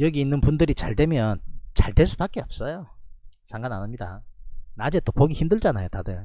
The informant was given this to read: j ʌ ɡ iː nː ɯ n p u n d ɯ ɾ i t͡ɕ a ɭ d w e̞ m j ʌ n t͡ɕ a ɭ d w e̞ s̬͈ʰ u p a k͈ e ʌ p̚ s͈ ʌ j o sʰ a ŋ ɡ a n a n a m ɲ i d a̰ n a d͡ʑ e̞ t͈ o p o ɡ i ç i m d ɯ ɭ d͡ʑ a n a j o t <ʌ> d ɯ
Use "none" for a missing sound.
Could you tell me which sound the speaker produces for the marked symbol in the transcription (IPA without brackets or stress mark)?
a